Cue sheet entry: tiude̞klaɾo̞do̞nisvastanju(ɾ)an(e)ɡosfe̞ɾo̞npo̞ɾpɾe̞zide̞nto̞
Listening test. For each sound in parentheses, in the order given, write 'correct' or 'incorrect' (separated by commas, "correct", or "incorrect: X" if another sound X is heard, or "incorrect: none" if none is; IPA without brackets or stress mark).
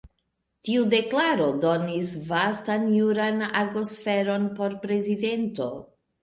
correct, incorrect: a